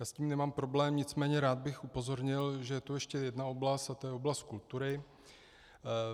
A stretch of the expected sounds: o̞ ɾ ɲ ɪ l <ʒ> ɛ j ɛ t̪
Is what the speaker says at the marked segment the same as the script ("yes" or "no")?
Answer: yes